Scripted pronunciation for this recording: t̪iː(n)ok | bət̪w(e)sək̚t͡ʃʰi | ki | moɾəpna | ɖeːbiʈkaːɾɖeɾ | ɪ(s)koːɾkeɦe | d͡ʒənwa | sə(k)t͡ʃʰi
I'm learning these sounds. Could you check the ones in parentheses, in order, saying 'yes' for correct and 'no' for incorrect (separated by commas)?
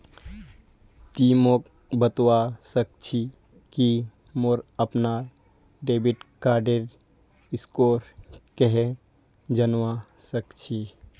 no, no, yes, yes